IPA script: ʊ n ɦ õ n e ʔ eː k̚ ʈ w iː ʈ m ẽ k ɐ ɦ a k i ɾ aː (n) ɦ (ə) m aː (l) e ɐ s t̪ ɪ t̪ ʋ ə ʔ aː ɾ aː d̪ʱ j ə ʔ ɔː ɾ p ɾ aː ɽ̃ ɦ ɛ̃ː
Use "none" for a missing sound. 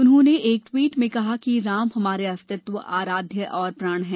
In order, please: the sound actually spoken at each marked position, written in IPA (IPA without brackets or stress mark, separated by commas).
m, ɐ, ɾ